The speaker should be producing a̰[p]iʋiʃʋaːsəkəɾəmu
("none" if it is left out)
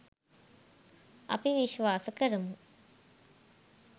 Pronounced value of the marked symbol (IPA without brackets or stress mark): p